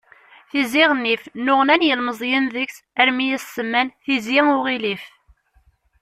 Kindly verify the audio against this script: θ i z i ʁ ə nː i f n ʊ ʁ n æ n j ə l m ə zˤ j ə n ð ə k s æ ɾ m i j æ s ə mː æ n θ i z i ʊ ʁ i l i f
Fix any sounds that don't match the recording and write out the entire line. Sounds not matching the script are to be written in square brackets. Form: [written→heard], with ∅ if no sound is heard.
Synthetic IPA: θ i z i ʁ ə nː i f n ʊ ʁ n æ n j ə l m ə zˤ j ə n ð ə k s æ ɾ m i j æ s ə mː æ n θ i z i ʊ ʁ i l i f